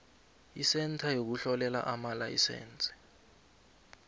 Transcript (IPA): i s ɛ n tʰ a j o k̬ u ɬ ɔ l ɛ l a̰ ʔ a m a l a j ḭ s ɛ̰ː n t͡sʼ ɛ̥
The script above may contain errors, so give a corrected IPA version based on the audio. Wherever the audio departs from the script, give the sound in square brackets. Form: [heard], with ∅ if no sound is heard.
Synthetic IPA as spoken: i s ɛ n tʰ a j o k̬ u ɬ ɔ l ɛ l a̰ ʔ a m a l a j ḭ s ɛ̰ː n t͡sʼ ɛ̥